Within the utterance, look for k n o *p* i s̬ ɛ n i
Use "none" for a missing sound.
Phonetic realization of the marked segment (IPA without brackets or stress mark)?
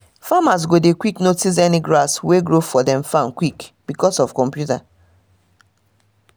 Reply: t